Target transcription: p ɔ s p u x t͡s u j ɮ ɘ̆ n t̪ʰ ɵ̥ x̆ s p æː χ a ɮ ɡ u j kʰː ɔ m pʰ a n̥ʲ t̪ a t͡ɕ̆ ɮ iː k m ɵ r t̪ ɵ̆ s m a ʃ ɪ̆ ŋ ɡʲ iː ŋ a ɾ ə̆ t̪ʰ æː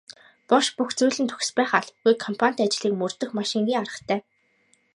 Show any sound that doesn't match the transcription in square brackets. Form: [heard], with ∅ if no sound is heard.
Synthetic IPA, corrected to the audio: p ɔ [ʃ] p u x t͡s u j ɮ ɘ̆ n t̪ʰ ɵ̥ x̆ s p æː χ a ɮ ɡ u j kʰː ɔ m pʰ a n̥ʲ t̪ a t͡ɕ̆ ɮ iː k m ɵ r t̪ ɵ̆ [x] m a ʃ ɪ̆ ŋ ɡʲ iː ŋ a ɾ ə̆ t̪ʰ æː